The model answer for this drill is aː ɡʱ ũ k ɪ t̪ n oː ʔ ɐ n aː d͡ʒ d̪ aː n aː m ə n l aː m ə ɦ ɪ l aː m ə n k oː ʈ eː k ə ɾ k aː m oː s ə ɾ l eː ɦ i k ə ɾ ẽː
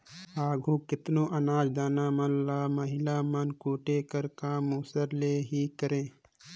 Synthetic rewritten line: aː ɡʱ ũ k ɪ t̪ n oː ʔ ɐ n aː d͡ʒ d̪ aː n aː m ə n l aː m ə ɦ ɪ l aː m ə n k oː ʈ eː k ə ɾ k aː m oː s ə ɾ l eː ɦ i k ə ɾ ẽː